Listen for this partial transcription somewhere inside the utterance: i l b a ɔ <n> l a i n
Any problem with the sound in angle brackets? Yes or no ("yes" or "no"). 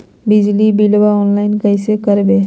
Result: no